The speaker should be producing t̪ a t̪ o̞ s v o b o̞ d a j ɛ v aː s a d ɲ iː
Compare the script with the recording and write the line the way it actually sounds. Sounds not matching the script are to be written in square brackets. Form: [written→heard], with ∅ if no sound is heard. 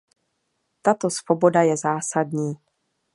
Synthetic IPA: t̪ a t̪ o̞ s v o b o̞ d a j ɛ [v→z] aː s a d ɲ iː